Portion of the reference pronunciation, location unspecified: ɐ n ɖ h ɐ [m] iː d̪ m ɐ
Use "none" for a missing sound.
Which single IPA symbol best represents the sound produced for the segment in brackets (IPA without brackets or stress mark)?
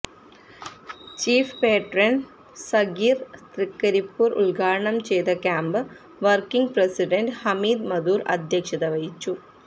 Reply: m